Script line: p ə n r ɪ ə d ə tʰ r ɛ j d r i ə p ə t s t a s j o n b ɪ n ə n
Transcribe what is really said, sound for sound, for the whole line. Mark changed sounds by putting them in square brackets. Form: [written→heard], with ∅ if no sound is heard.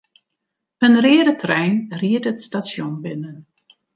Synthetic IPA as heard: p ə n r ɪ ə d ə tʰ r ɛ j [d→n] r i ə [p→t] ə t s t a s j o n b ɪ n ə n